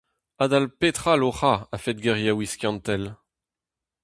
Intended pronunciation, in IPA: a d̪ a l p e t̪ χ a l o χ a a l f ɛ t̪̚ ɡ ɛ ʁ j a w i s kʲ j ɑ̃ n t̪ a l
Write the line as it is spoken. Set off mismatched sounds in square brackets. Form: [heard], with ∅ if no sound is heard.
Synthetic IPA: a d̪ a l p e t̪ χ a l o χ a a [∅] f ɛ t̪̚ ɡ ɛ ʁ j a w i s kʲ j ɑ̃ n t̪ [ɛ] l